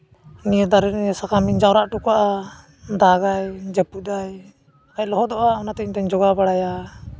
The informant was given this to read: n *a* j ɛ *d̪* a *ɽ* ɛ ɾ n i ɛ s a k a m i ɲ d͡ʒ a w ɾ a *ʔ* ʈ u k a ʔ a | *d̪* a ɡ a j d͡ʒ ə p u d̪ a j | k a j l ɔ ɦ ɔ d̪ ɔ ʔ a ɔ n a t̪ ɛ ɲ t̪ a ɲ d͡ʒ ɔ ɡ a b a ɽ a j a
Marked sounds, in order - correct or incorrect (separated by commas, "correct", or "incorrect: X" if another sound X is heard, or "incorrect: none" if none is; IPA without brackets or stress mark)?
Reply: incorrect: i, correct, incorrect: ɾ, correct, correct